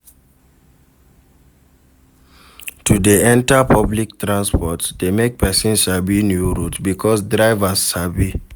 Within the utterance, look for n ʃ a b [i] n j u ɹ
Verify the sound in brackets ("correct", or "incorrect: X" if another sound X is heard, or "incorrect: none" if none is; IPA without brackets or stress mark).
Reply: correct